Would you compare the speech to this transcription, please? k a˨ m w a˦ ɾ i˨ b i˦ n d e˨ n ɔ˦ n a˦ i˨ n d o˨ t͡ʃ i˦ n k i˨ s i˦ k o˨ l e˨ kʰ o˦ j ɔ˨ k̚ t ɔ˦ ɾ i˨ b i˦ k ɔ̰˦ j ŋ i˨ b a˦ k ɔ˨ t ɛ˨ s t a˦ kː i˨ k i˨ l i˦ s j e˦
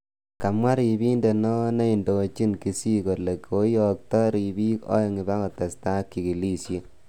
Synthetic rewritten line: k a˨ m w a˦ ɾ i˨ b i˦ n d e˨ n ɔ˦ n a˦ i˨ n d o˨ t͡ʃ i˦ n k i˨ s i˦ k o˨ l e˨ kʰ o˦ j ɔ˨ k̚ t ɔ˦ ɾ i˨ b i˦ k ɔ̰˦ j ŋ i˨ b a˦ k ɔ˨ t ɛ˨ s t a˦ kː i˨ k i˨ l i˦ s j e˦